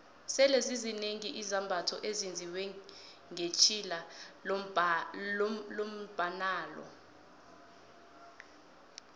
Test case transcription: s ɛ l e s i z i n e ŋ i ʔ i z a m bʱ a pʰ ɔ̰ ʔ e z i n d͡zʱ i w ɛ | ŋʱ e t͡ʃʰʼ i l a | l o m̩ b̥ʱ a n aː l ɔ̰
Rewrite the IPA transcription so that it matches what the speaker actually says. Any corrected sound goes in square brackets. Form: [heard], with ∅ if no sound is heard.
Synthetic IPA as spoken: s ɛ l e [z] i z i n e ŋ i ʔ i z a m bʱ a [tʰ] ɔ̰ ʔ e z i n d͡zʱ i w ɛ | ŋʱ e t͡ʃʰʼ i l a | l o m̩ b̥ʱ a n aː l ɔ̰